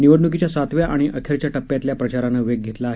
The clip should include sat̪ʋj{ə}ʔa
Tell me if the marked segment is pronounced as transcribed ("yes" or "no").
no